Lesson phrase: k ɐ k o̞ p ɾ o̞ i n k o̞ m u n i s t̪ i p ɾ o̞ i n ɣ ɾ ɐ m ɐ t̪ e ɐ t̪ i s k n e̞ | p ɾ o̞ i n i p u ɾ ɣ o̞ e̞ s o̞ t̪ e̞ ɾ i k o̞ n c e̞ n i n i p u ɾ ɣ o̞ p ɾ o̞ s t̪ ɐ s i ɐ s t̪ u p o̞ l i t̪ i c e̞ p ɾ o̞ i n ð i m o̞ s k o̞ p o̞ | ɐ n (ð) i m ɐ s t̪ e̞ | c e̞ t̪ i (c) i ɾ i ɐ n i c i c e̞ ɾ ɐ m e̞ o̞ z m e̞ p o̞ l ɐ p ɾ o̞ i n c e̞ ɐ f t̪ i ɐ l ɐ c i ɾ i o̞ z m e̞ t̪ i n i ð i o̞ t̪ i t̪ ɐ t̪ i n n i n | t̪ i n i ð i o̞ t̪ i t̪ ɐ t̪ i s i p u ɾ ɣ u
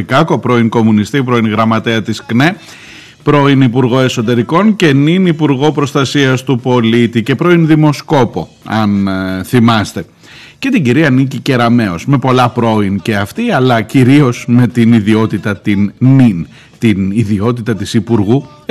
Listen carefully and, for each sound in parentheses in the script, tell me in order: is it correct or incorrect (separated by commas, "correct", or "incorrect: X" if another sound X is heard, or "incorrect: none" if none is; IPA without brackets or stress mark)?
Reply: incorrect: θ, incorrect: ɟ